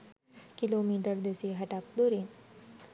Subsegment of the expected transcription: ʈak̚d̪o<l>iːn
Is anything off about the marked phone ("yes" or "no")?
yes